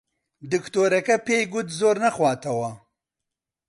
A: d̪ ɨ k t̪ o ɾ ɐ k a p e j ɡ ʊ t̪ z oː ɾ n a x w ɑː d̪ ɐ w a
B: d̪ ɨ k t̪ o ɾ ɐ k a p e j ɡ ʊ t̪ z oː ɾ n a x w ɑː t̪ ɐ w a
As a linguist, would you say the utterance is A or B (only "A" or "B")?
B